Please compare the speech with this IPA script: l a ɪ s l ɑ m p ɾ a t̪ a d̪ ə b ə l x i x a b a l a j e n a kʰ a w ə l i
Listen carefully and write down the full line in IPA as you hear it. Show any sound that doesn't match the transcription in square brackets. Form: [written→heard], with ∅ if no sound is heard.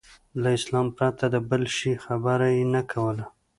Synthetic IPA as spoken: l a ɪ s l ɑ m p ɾ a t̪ a d̪ ə b ə l [x→ʃ] i x a b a [l→ɾ] a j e n a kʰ a w ə l [i→a]